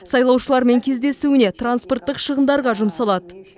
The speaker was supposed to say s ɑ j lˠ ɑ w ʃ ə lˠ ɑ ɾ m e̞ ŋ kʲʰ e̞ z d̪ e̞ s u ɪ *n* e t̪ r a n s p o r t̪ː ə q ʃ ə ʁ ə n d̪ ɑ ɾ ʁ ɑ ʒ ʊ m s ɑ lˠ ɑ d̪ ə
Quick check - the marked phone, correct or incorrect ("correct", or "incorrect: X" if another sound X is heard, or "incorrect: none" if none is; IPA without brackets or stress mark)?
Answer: correct